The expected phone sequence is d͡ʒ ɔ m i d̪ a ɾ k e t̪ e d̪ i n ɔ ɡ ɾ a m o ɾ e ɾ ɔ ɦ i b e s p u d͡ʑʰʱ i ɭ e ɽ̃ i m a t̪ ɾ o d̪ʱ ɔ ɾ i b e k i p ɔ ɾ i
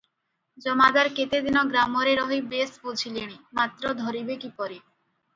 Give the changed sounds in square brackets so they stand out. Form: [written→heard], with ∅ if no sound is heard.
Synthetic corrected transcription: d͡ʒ ɔ m [i→a] d̪ a ɾ k e t̪ e d̪ i n ɔ ɡ ɾ a m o ɾ e ɾ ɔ ɦ i b e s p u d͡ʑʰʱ i [ɭ→l] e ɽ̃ i m a t̪ ɾ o d̪ʱ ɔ ɾ i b e k i p ɔ ɾ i